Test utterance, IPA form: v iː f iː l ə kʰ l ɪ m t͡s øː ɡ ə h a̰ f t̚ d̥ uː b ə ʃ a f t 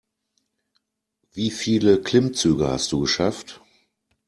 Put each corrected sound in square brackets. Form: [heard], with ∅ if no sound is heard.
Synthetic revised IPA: v iː f iː l ə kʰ l ɪ m t͡s [yː] ɡ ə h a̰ [s] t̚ d̥ uː [ɡ] ə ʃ a f t